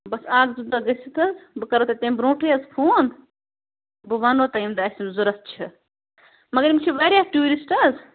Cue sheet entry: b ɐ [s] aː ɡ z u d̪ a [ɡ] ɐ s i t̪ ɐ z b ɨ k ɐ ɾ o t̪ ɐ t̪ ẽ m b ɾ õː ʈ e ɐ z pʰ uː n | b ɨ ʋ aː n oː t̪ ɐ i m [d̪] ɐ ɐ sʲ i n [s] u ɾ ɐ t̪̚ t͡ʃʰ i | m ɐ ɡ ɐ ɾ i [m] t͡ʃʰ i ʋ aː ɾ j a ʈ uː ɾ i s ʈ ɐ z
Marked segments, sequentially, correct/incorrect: correct, correct, correct, incorrect: z, correct

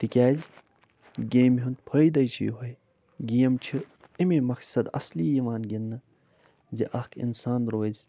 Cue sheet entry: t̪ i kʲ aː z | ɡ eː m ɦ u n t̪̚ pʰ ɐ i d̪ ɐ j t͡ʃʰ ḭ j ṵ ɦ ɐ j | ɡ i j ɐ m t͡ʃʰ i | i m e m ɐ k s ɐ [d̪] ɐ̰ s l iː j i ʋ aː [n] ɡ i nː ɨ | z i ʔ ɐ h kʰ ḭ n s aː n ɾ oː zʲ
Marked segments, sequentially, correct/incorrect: correct, correct

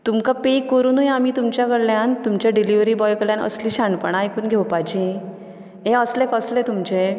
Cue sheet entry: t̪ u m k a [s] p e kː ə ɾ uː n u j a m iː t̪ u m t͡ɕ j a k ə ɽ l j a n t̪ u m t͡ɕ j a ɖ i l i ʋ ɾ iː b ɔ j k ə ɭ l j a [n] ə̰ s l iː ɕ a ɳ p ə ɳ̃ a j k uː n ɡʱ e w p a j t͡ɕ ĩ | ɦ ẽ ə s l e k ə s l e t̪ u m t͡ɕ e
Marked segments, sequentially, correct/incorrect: incorrect: none, correct

